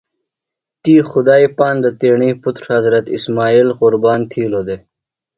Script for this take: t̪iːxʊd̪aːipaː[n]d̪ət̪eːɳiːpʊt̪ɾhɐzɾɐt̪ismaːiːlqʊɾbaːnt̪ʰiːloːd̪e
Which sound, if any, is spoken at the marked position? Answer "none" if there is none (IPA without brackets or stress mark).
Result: n